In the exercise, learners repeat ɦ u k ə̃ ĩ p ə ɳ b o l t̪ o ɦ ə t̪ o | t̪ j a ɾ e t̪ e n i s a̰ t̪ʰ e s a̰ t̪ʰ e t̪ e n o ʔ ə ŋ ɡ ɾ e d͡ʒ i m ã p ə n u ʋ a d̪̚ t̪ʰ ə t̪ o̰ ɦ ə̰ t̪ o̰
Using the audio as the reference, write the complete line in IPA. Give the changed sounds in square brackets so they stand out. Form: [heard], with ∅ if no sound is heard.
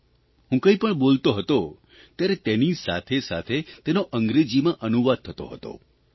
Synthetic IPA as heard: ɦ [ũ] k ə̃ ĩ p ə ɳ b o l t̪ o ɦ ə t̪ o | t̪ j a ɾ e t̪ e n i s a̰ t̪ʰ e s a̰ t̪ʰ e t̪ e n o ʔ ə ŋ ɡ ɾ e d͡ʒ i m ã [ʔ] ə n u ʋ a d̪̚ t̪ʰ ə t̪ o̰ ɦ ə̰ t̪ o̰